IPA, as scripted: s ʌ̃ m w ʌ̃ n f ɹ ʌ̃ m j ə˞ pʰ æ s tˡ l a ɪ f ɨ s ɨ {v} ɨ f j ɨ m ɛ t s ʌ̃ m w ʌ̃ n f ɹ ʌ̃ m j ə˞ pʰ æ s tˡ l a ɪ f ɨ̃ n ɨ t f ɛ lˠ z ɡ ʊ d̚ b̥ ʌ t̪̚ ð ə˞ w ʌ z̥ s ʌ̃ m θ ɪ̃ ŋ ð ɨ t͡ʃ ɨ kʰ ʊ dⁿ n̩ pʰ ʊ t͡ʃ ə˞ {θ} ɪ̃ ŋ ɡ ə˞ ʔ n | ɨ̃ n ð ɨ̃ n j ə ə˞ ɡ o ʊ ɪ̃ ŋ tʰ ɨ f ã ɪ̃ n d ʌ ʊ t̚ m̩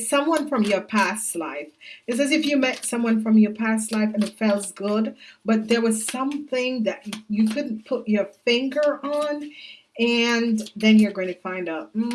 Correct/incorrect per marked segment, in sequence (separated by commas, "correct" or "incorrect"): incorrect, incorrect